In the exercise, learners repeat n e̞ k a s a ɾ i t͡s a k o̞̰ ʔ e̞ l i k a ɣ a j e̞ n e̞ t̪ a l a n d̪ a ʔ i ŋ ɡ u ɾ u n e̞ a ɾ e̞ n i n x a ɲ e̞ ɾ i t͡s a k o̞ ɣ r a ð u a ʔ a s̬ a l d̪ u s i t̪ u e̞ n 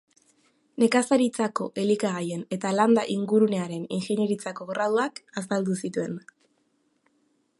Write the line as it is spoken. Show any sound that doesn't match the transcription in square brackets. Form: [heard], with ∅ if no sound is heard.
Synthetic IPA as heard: n e̞ k a s a ɾ i t͡s a k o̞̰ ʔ e̞ l i k a ɣ a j e̞ n e̞ t̪ a l a n d̪ a ʔ i ŋ ɡ u ɾ u n e̞ a ɾ e̞ n i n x [e] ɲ e̞ ɾ i t͡s a k o̞ ɣ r a ð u a [k] a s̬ a l d̪ u s i t̪ u e̞ n